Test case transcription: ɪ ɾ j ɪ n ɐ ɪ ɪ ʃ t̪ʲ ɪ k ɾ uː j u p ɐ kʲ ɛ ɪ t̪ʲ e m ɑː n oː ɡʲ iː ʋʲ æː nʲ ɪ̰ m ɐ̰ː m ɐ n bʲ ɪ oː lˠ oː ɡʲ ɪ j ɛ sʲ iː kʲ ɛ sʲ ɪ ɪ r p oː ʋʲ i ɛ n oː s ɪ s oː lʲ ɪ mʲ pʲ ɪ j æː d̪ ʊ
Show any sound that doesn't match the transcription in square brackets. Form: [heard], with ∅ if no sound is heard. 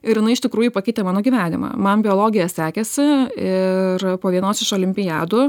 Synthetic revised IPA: ɪ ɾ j ɪ n ɐ ɪ ɪ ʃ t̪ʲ ɪ k ɾ uː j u p ɐ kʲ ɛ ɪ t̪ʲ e m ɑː n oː ɡʲ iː ʋʲ æː nʲ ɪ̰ m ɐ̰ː m ɐ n bʲ ɪ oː lˠ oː ɡʲ ɪ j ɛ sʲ [æː] kʲ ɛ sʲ ɪ ɪ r p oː ʋʲ i ɛ n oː s ɪ [ʃ] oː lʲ ɪ mʲ pʲ ɪ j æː d̪ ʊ